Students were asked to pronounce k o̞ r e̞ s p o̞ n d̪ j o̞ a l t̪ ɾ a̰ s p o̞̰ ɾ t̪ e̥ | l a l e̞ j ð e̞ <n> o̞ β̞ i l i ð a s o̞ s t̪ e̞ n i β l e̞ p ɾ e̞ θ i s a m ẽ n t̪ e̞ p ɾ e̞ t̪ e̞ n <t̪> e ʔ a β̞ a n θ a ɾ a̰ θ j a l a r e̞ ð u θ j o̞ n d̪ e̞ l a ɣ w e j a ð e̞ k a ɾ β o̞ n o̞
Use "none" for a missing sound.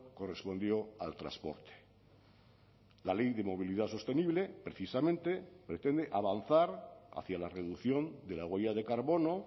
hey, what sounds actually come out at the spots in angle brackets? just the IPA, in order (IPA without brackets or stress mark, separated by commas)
m, d̪